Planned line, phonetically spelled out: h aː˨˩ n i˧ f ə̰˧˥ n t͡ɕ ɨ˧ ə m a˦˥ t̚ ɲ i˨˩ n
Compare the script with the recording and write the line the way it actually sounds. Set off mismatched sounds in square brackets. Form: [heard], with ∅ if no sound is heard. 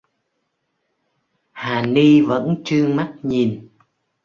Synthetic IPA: h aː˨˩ n i˧ [v] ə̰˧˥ n t͡ɕ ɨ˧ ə m a˦˥ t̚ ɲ i˨˩ n